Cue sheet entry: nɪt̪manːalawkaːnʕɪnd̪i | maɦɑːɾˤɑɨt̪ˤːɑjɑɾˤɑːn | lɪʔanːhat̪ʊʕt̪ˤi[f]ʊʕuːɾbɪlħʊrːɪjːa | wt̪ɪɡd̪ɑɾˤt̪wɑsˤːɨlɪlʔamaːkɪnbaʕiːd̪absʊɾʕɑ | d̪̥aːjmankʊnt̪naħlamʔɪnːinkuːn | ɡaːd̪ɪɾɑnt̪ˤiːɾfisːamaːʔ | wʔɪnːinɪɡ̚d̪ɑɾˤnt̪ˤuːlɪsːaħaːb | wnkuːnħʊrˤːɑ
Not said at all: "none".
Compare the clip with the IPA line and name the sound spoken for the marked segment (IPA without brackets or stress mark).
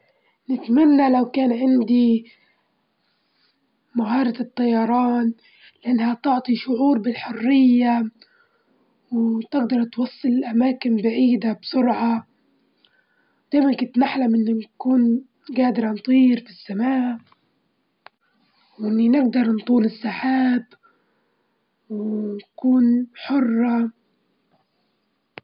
ʃ